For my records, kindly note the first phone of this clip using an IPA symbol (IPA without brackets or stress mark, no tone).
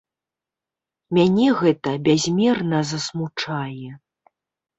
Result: mʲ